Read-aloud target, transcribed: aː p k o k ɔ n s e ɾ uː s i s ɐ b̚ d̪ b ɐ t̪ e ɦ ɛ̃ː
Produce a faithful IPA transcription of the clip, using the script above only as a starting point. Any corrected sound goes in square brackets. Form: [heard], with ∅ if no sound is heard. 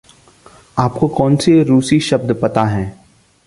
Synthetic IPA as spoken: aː p k o k [ɔː] n s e ɾ uː s i [ʃ] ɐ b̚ d̪ [p] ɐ t̪ [a] ɦ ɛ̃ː